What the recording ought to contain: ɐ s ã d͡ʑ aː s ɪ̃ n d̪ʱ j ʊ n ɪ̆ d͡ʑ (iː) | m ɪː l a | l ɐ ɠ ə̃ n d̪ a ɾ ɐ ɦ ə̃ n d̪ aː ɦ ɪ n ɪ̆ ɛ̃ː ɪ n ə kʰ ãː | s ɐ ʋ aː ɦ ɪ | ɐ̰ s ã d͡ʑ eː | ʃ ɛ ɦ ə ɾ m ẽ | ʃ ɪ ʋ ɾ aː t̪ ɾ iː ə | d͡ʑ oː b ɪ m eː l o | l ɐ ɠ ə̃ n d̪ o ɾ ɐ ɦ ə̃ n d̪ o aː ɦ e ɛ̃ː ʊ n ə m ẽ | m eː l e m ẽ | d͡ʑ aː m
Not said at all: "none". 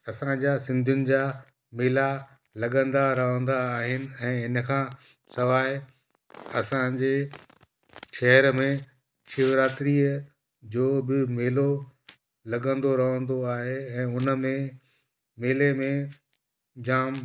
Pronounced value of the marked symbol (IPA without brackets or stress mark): aː